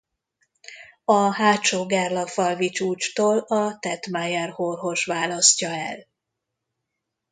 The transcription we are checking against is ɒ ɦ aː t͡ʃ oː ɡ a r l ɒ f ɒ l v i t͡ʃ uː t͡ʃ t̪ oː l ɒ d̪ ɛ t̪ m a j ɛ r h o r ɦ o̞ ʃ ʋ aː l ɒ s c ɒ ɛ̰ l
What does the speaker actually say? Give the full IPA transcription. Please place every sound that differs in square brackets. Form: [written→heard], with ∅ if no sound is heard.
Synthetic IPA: ɒ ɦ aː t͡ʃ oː ɡ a r l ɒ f ɒ l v i t͡ʃ uː t͡ʃ t̪ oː l ɒ [d̪→t̪] ɛ t̪ m a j ɛ r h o r ɦ o̞ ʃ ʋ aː l ɒ s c ɒ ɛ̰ l